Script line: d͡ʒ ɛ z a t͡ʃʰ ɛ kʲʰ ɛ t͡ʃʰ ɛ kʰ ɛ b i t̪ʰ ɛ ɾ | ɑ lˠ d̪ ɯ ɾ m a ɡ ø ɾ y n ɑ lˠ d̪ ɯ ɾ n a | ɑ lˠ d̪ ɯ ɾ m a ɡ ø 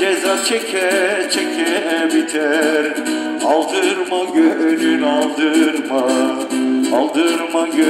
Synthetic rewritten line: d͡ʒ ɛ z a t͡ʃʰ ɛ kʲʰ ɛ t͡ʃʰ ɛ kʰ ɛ b i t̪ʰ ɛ ɾ | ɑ lˠ d̪ ɯ ɾ m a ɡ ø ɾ y n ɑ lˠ d̪ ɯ ɾ m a | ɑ lˠ d̪ ɯ ɾ m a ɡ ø